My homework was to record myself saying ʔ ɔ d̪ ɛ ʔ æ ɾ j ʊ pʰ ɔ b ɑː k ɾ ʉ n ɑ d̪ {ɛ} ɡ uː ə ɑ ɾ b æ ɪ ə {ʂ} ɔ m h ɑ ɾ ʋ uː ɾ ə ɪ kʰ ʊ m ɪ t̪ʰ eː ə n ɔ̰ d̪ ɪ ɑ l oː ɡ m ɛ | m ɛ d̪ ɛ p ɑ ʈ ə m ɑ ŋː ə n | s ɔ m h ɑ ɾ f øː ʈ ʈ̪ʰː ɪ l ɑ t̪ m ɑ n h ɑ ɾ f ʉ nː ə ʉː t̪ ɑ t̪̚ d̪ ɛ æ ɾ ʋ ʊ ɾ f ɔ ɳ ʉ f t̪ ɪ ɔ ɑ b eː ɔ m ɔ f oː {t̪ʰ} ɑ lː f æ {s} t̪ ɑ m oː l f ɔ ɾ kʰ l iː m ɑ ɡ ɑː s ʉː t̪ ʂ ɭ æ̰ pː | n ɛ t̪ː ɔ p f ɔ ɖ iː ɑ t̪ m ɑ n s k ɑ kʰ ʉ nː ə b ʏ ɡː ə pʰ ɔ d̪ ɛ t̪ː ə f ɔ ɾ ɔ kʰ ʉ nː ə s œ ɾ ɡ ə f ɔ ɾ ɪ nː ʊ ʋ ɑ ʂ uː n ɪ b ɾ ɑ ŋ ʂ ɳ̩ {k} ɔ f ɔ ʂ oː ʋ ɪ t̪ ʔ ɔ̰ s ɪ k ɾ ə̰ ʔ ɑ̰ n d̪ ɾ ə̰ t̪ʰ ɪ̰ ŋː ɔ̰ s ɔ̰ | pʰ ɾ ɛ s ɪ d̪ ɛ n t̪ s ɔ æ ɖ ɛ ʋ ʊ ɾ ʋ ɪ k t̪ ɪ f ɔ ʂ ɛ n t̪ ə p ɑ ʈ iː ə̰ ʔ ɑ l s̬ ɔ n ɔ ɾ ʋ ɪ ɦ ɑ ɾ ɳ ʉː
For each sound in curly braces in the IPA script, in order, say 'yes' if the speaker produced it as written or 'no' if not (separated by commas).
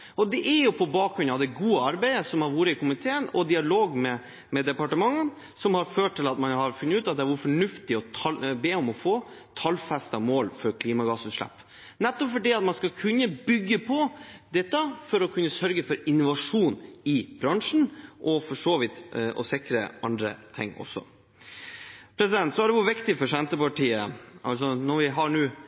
yes, no, yes, yes, no